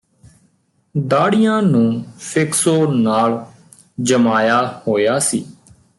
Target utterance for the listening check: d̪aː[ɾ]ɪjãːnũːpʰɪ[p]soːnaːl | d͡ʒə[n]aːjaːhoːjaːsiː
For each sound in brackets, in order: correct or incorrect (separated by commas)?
incorrect, incorrect, incorrect